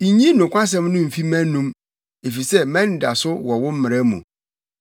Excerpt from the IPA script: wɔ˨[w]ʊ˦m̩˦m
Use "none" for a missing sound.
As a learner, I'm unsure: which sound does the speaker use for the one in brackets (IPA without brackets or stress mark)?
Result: w